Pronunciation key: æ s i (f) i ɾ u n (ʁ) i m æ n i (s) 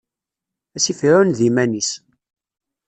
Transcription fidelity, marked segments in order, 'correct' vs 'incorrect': correct, incorrect: ð, correct

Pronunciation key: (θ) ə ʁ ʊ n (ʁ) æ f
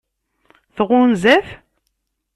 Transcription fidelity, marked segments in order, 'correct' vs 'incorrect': correct, incorrect: z

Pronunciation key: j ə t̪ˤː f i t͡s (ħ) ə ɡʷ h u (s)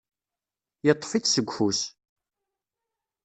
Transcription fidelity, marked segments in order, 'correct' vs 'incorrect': incorrect: s, correct

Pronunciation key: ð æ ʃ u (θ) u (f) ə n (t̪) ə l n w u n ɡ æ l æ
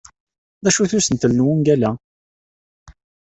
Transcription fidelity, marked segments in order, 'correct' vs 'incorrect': correct, incorrect: s, correct

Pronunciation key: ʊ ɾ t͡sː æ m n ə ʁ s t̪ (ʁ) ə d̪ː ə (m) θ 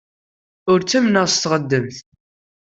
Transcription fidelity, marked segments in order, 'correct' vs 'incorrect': correct, correct

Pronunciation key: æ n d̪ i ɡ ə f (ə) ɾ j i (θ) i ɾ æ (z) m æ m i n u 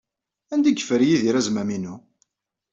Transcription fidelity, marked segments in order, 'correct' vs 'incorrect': correct, incorrect: ð, correct

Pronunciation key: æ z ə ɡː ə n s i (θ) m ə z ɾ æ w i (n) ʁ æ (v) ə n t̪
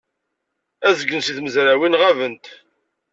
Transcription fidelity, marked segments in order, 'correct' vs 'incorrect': correct, correct, correct

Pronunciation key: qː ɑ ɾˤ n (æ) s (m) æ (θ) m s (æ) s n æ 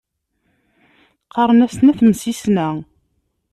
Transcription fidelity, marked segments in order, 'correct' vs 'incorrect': correct, incorrect: n, correct, incorrect: i

